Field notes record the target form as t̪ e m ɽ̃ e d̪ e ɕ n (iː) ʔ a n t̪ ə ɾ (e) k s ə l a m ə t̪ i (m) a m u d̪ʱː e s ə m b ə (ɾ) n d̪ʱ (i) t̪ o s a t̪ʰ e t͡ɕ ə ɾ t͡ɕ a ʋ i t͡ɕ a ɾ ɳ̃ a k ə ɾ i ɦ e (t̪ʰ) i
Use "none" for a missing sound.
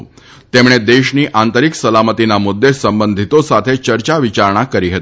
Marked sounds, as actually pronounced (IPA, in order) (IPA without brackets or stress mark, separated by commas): iː, i, n, none, i, t̪